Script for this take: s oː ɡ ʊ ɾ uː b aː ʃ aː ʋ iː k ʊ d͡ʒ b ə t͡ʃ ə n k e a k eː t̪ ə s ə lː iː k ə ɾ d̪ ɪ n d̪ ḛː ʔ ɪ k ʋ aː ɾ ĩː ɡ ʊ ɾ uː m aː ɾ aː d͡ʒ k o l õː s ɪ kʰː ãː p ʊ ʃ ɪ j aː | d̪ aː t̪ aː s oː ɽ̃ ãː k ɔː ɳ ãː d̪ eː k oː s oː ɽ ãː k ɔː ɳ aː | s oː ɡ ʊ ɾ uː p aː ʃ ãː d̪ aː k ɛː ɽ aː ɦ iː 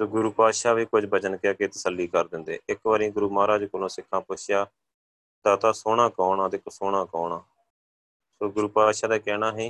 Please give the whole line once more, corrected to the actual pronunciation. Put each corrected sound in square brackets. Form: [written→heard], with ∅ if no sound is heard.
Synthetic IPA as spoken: s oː ɡ ʊ ɾ uː [b→p] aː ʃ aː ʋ iː k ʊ d͡ʒ b ə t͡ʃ ə n k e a k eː t̪ ə s ə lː iː k ə ɾ d̪ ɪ n d̪ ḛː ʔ ɪ k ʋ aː ɾ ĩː ɡ ʊ ɾ uː m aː ɾ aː d͡ʒ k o l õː s ɪ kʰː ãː p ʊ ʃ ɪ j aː | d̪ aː t̪ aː s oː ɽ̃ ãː k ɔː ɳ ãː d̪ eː k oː s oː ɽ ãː k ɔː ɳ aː | s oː ɡ ʊ ɾ uː p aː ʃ [ãː→aː] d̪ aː k ɛː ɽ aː ɦ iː